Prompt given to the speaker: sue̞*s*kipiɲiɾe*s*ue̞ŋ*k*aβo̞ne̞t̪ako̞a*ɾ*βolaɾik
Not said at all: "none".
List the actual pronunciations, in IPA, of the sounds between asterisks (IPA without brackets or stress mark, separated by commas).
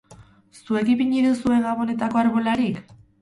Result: none, s, ɡ, ɾ